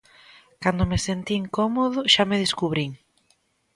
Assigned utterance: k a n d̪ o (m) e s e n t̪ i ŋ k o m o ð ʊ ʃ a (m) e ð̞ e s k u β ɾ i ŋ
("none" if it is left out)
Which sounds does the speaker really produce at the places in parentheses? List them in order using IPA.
m, m

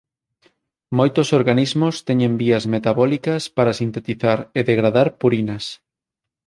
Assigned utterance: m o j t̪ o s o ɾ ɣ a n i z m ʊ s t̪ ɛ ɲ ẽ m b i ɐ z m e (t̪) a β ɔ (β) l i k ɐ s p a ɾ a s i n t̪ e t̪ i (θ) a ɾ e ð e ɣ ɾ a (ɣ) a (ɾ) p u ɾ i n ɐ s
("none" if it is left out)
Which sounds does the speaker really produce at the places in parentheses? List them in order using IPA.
t̪, none, θ, ð, ɾ

